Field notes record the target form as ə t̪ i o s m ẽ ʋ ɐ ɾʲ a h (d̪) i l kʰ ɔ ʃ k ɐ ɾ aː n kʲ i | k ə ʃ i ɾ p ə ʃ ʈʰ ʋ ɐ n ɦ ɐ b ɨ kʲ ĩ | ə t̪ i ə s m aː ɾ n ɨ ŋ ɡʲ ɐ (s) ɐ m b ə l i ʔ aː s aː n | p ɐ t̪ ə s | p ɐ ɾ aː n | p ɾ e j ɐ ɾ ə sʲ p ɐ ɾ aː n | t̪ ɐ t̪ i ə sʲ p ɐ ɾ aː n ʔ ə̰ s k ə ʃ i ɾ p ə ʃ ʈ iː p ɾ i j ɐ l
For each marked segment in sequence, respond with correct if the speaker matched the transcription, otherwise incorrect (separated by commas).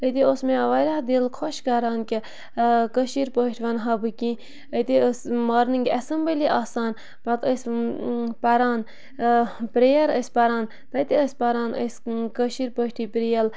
correct, correct